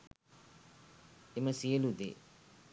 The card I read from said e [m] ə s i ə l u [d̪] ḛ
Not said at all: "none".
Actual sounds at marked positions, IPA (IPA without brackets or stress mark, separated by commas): m, d̪